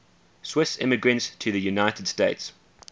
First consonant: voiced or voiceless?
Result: voiceless